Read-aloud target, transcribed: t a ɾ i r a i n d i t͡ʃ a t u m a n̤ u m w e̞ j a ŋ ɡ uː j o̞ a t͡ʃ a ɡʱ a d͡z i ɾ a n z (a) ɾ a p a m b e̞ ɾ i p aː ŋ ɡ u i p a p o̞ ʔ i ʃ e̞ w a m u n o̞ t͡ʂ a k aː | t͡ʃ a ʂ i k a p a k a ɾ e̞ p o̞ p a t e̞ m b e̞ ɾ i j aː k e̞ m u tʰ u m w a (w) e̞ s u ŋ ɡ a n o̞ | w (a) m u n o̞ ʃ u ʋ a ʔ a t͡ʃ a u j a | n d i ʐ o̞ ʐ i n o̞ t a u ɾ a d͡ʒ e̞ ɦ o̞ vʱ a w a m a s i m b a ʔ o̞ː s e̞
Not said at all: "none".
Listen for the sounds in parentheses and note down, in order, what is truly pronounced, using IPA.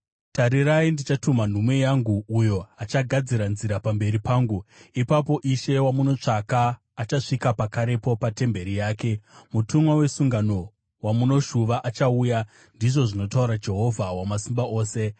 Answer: i, w, a

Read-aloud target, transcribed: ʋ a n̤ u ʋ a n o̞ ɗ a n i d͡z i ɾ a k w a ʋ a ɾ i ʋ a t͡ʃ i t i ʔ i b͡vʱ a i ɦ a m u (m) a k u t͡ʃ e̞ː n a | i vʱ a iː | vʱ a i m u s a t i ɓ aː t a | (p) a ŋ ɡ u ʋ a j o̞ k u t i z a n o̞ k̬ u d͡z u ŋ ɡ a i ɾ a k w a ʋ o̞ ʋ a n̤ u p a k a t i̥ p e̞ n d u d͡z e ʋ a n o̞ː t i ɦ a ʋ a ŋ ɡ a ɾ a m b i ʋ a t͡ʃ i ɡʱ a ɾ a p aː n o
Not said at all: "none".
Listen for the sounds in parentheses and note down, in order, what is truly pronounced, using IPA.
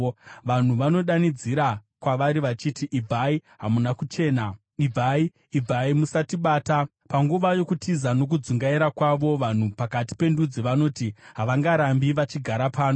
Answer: n, p

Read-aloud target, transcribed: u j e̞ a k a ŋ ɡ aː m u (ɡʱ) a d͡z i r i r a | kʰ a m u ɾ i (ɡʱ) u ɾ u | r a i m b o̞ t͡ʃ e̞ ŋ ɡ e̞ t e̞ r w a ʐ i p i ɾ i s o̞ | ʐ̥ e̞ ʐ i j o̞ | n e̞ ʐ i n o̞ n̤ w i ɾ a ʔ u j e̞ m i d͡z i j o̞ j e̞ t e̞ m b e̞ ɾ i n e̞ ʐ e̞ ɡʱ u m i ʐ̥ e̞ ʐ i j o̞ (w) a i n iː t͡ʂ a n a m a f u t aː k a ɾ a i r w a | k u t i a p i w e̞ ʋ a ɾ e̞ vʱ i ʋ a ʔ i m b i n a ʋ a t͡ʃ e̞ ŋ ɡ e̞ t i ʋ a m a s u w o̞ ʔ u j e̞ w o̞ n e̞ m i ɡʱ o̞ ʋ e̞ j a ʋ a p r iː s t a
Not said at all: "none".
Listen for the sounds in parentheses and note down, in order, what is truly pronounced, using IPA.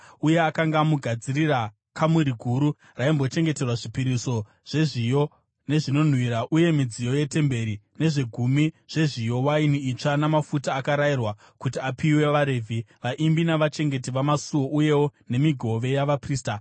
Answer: ɡʱ, ɡʱ, w

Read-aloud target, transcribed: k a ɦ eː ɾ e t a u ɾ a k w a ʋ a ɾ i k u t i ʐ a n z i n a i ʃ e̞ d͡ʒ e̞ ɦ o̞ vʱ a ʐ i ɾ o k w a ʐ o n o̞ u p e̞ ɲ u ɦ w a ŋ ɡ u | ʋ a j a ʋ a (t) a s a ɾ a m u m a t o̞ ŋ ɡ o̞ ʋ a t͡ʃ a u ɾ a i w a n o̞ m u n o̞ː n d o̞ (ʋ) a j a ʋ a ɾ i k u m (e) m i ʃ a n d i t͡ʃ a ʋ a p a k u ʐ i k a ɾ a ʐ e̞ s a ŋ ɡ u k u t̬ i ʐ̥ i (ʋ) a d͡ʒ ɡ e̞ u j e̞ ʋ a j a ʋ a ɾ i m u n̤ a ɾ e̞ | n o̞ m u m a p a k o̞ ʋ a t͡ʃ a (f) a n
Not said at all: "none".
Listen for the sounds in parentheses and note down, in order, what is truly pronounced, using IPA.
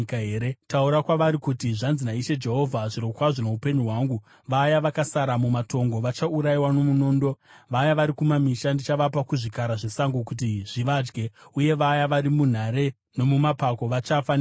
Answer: k, ʋ, a, ʋ, f

